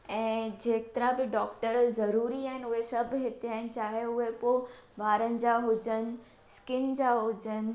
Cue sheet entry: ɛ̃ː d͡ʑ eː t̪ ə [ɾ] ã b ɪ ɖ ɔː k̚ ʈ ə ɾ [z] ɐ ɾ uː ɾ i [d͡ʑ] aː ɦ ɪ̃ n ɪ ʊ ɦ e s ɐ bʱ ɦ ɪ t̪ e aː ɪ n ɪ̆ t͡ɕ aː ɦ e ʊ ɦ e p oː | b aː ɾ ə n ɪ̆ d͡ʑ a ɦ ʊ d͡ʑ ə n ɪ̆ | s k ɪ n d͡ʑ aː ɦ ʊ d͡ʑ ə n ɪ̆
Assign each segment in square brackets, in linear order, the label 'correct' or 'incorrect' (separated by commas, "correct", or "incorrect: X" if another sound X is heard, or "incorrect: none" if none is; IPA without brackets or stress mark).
correct, correct, incorrect: none